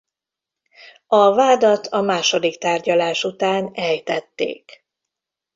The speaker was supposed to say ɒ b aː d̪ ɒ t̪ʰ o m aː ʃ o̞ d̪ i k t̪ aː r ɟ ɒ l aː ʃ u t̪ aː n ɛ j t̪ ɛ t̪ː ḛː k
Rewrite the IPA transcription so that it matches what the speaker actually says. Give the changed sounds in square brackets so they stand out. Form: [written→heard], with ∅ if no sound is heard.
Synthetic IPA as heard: ɒ [b→v] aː d̪ ɒ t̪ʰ [o→ɒ] m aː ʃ o̞ d̪ i k t̪ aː r ɟ ɒ l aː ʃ u t̪ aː n ɛ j t̪ ɛ t̪ː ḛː k

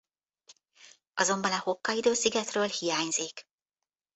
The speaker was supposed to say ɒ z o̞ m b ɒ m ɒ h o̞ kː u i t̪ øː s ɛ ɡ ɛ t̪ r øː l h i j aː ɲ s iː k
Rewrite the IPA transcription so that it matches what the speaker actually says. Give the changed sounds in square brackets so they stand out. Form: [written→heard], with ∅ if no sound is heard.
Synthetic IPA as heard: ɒ z o̞ m b ɒ [m→n] ɒ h o̞ kː [u→ɒ] i [t̪→d̪] øː s [ɛ→i] ɡ ɛ t̪ r øː l h i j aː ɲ [s→z] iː k

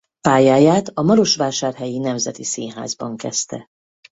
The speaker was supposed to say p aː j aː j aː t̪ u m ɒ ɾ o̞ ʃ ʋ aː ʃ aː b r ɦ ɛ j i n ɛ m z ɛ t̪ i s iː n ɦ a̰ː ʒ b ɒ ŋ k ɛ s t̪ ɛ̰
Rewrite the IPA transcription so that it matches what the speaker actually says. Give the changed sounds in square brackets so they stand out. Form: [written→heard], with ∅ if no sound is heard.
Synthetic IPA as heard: p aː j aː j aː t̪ [u→ɒ] m ɒ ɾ o̞ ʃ ʋ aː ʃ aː [b→∅] r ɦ ɛ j i n ɛ m z ɛ t̪ i s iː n ɦ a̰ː [ʒ→z] b ɒ ŋ k ɛ s t̪ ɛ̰

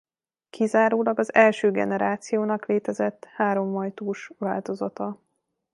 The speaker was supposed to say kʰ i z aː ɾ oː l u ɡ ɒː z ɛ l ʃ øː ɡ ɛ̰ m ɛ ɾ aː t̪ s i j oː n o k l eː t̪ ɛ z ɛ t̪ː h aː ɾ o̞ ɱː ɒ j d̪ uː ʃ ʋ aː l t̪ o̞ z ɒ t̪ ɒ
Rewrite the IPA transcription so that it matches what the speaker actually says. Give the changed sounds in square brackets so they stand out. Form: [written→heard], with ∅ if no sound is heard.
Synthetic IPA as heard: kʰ i z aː ɾ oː l [u→ɒ] ɡ [ɒː→ɒ] z ɛ l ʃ øː ɡ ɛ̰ [m→n] ɛ ɾ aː t̪ s i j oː n [o→ɒ] k l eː t̪ ɛ z ɛ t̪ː h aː ɾ o̞ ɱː ɒ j [d̪→t̪] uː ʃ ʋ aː l t̪ o̞ z ɒ t̪ ɒ

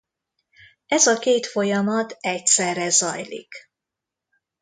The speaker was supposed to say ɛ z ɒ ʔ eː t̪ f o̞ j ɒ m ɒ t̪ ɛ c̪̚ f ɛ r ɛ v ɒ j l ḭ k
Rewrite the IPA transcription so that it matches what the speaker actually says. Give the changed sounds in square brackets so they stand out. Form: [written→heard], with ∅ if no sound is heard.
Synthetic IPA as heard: ɛ z ɒ [ʔ→k] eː t̪ f o̞ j ɒ m ɒ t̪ ɛ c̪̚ [f→s] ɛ r ɛ [v→z] ɒ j l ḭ k

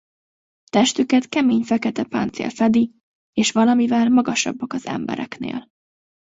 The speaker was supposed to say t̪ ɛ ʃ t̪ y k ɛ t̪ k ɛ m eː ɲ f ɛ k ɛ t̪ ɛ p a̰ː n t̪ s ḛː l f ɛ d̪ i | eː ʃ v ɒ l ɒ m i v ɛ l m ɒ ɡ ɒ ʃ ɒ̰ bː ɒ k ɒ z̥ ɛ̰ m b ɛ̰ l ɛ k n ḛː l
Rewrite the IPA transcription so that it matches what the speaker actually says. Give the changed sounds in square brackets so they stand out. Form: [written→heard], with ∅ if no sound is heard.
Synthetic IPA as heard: t̪ ɛ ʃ t̪ y k ɛ t̪ k ɛ m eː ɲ f ɛ k ɛ t̪ ɛ p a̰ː n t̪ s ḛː l f ɛ d̪ i | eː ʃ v ɒ l ɒ m i v ɛ l m ɒ ɡ ɒ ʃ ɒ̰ bː ɒ k ɒ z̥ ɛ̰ m b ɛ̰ [l→ɾ] ɛ k n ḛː l

